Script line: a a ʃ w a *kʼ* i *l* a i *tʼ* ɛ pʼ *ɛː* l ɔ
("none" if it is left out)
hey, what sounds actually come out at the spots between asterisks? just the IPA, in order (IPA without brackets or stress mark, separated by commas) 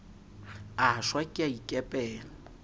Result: kʼ, none, kʼ, ɛː